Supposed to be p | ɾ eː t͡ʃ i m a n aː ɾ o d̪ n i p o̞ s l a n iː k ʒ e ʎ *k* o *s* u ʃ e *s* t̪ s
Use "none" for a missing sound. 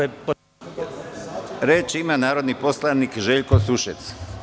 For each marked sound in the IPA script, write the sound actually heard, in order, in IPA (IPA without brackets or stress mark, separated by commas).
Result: k, s, none